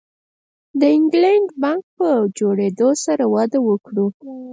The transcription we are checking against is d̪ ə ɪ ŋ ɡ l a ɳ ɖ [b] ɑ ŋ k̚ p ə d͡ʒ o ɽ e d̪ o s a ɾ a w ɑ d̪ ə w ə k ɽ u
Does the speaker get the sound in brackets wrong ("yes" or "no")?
no